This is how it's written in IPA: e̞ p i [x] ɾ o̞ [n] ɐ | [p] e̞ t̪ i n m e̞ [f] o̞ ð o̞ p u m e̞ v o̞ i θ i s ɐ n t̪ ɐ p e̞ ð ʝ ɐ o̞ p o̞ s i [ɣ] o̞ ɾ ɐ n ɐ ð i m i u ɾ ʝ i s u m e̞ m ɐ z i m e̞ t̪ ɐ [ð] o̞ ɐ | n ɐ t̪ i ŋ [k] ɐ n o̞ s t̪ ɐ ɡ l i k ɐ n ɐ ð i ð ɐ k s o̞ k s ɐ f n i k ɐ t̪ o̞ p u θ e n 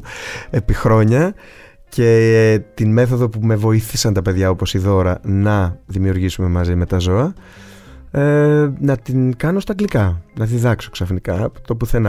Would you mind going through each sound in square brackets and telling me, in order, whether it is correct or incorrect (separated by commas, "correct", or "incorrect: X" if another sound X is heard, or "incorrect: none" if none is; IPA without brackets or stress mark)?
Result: correct, incorrect: ɲ, incorrect: c, incorrect: θ, incorrect: ð, incorrect: z, correct